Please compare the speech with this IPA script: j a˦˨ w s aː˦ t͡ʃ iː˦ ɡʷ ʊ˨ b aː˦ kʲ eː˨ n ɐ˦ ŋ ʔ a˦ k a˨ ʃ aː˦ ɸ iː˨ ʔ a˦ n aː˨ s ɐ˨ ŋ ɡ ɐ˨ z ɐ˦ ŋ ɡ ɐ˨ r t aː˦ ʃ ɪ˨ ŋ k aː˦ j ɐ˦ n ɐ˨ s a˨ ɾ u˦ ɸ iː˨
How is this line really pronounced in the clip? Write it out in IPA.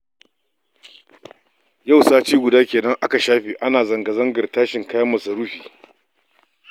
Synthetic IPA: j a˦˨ w s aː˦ t͡ʃ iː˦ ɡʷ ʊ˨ d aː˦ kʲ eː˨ n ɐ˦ ŋ ʔ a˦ k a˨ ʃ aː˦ ɸ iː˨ ʔ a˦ n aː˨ z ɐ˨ ŋ ɡ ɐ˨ z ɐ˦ ŋ ɡ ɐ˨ r t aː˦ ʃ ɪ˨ ŋ k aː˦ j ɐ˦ m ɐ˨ s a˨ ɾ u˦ ɸ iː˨